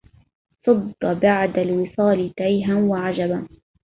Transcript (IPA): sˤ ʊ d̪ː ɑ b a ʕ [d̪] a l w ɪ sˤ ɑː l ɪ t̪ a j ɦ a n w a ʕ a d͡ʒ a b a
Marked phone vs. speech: correct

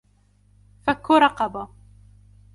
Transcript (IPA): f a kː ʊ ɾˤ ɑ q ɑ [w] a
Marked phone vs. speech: incorrect: b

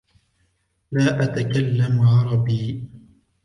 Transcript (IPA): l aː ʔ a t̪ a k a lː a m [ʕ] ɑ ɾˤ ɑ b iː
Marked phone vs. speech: correct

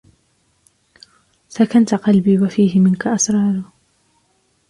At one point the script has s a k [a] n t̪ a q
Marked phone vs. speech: correct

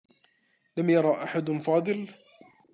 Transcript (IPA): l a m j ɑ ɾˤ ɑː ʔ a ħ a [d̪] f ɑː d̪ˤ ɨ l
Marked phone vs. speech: correct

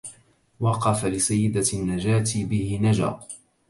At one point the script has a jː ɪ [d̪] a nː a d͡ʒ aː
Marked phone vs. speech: correct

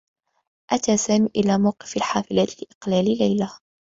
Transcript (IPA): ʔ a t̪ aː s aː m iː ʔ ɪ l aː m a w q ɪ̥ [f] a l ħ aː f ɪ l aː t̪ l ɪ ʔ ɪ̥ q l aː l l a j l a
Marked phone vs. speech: correct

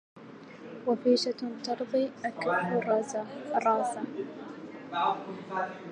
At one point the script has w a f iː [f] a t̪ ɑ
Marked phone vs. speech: incorrect: ʃ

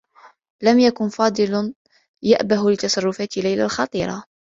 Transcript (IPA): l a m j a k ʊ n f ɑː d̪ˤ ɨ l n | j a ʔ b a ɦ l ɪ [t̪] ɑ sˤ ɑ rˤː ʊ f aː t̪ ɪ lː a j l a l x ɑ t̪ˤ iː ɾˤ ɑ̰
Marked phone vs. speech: correct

